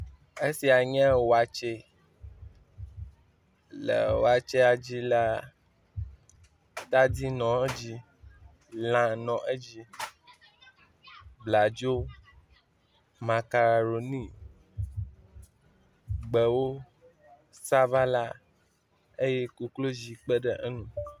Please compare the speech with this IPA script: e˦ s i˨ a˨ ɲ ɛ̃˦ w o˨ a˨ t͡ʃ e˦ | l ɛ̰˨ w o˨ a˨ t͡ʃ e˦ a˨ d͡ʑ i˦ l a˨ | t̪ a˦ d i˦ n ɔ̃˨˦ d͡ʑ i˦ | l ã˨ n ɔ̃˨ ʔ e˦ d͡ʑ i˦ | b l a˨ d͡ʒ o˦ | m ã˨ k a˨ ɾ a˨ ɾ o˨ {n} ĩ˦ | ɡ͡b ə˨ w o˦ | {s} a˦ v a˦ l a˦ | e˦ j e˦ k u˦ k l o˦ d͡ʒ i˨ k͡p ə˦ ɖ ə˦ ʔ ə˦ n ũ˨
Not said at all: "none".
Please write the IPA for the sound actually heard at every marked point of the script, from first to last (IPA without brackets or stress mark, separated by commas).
n, s